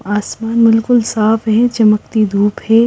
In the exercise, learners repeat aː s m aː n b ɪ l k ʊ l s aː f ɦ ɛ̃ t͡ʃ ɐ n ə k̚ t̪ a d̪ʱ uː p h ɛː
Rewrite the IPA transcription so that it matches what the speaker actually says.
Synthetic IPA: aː s m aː n b ɪ l k ʊ l s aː f ɦ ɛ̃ t͡ʃ ɐ m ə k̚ t̪ i d̪ʱ uː p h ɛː